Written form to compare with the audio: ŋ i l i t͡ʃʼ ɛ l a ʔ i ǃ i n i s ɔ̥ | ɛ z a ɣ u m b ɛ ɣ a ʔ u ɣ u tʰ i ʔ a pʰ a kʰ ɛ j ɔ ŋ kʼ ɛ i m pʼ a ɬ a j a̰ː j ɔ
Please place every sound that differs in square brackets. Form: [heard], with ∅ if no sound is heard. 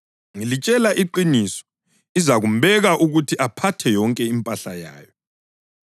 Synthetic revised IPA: ŋ i l i t͡ʃʼ ɛ l a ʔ i ǃ i n i s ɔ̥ | [i] z a ɣ u m b ɛ ɣ a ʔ u ɣ u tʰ i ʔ a pʰ a [tʰ] ɛ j ɔ ŋ kʼ ɛ i m pʼ a ɬ a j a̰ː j ɔ